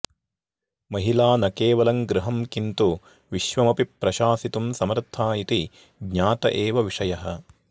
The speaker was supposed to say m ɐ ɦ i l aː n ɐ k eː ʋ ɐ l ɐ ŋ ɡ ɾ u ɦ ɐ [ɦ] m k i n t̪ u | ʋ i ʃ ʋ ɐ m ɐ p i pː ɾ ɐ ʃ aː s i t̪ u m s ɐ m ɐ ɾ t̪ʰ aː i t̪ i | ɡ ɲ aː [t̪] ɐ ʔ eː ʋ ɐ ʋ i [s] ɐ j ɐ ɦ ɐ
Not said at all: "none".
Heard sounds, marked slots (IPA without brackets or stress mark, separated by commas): none, t̪, ʂ